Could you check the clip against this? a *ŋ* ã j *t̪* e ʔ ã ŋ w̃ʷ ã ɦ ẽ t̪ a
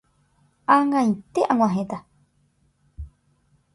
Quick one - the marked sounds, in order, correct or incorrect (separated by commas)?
correct, correct